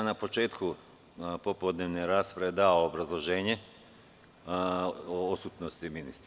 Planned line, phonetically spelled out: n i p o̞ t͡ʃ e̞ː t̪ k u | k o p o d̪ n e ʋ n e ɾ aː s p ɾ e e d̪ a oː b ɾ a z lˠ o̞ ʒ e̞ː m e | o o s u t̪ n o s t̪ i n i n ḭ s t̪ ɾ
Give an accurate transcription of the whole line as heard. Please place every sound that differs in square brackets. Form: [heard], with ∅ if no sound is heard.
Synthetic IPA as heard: n [a] p o̞ t͡ʃ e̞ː t̪ k u | [p] o p o d̪ n e ʋ n e ɾ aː s p ɾ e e d̪ a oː b ɾ a z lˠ o̞ ʒ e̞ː [ɲ] e | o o s u t̪ n o s t̪ i [m] i n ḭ s t̪ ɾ